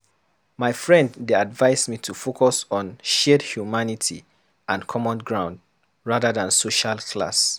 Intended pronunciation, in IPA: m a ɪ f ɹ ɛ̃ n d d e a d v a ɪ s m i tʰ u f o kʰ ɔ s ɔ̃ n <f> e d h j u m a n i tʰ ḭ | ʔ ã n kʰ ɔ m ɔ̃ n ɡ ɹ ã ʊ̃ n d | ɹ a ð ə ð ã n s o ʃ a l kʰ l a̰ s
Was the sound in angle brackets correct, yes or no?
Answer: no